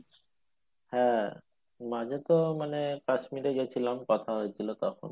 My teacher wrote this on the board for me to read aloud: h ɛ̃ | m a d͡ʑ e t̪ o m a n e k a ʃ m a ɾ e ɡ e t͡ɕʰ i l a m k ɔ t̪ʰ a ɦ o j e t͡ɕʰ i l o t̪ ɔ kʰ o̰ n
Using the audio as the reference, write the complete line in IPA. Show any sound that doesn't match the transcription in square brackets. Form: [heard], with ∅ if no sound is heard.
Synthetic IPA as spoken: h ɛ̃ | m a d͡ʑ e t̪ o m a n e k a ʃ m [i] ɾ e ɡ e t͡ɕʰ i l a m k ɔ t̪ʰ a ɦ o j e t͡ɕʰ i l o t̪ ɔ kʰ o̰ n